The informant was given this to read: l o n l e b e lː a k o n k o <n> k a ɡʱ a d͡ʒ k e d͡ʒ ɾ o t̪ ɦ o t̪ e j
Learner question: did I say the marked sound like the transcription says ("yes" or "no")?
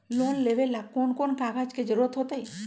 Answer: yes